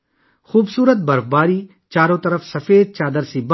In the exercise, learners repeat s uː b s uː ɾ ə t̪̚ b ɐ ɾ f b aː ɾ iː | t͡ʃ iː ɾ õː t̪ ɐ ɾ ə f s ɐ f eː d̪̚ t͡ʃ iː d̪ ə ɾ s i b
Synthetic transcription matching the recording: x uː b s uː ɾ ə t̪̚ b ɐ ɾ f b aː ɾ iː | t͡ʃ aː ɾ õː t̪ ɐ ɾ ə f s ɐ f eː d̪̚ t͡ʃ aː d̪ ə ɾ s i b